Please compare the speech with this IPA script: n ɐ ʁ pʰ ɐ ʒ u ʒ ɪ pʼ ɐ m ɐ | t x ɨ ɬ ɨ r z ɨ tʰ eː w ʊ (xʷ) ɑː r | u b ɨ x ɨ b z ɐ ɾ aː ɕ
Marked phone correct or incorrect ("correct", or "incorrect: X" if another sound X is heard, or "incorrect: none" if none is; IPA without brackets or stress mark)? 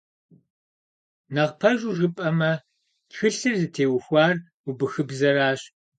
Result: correct